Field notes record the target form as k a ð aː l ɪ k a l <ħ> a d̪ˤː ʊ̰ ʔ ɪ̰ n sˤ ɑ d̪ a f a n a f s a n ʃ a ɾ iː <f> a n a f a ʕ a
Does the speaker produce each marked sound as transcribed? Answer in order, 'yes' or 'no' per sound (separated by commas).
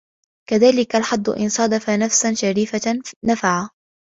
yes, yes